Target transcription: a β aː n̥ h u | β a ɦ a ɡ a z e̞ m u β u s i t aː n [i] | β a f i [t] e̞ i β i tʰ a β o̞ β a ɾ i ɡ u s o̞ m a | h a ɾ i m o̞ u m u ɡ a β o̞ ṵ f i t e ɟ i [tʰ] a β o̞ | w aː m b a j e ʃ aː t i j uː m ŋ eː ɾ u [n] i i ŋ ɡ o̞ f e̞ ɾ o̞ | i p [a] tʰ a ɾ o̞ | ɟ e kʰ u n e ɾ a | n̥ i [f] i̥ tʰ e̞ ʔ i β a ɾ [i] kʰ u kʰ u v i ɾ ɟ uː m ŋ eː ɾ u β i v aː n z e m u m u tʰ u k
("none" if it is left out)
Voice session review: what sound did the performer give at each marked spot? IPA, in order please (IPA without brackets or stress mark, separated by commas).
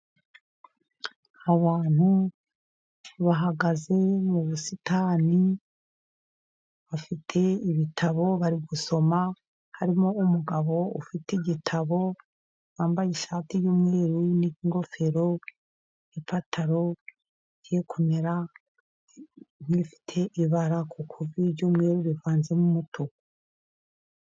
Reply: i, tʰ, tʰ, n, a, f, a